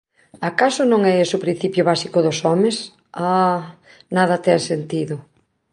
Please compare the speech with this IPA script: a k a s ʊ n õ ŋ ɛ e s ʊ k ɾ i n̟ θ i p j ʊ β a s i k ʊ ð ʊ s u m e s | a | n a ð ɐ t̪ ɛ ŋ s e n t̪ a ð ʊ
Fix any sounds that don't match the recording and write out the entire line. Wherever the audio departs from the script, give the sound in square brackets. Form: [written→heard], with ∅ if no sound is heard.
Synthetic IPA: a k a s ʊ n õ ŋ ɛ e s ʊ [k→p] ɾ i n̟ θ i p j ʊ β a s i k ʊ ð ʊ s [u→ɔ] m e s | a | n a ð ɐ t̪ ɛ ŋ s e n t̪ [a→i] ð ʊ